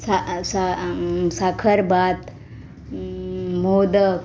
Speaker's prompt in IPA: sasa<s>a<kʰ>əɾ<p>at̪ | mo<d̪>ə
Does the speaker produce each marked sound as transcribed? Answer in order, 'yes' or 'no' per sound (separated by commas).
yes, yes, no, yes